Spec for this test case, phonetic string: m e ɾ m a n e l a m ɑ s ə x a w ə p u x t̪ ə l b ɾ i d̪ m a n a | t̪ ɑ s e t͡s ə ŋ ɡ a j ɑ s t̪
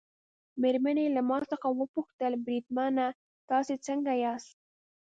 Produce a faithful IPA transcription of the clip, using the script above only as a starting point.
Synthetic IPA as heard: m e ɾ m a n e l a m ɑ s ə x a w ə p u x t̪ ə l b ɾ i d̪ m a n a | t̪ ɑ s e t͡s ə ŋ ɡ a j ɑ s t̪